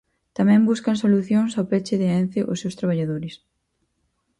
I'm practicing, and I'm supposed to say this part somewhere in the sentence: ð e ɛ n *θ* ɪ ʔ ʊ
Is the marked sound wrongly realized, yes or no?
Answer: no